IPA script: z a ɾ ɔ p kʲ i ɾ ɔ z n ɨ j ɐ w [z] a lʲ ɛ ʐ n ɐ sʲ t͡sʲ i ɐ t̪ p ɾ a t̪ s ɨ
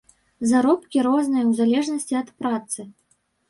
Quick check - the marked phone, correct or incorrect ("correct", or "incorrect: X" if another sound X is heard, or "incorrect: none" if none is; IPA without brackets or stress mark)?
correct